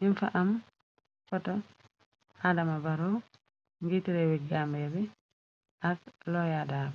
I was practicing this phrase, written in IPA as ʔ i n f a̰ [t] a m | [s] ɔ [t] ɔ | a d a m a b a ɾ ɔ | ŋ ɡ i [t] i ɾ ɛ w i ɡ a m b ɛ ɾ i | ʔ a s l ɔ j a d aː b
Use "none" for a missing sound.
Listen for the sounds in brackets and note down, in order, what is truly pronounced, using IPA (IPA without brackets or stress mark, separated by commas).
ʔ, f, t, t